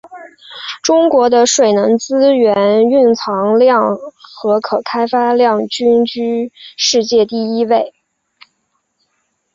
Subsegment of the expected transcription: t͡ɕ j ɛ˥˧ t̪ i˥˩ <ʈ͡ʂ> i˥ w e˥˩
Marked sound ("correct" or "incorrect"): incorrect